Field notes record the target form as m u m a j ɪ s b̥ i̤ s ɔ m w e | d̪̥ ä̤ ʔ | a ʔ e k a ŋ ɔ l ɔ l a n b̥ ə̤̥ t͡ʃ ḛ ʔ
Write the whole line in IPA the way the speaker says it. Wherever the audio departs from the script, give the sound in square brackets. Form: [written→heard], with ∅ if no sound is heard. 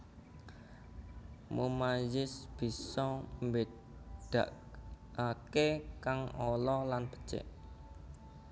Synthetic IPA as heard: m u m a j ɪ s b̥ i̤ s ɔ m [w→b] e | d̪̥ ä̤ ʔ | a [ʔ→k] e k a ŋ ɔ l ɔ l a n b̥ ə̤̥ t͡ʃ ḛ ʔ